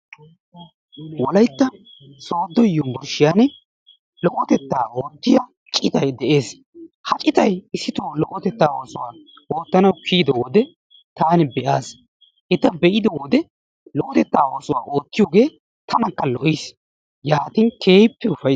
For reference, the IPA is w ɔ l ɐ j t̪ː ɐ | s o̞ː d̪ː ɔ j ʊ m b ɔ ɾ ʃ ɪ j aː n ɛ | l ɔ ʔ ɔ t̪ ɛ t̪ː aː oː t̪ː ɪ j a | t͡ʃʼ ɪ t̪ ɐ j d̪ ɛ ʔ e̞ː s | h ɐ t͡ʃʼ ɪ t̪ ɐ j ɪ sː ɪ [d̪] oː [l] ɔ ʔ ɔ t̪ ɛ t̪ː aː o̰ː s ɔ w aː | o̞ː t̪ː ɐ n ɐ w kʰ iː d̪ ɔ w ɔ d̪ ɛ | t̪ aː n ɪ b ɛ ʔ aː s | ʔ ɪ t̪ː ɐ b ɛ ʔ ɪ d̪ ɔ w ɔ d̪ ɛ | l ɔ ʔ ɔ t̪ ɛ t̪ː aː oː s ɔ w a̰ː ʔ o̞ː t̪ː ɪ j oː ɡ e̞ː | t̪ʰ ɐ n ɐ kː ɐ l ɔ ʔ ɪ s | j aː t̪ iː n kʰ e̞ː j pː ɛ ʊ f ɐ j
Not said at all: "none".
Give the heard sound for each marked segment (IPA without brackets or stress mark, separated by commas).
t̪, l